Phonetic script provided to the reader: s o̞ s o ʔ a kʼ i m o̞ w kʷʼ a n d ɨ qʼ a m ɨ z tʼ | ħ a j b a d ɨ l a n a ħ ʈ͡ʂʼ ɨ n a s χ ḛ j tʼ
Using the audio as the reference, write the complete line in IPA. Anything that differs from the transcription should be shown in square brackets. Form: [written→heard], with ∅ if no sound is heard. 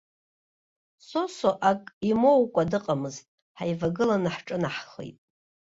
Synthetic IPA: s o̞ s o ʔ a kʼ i m o̞ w kʷʼ a [n→∅] d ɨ qʼ a m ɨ z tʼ | ħ a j [b→v] a [d→ɡ] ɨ l a n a ħ ʈ͡ʂʼ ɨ n a [s→ħ] χ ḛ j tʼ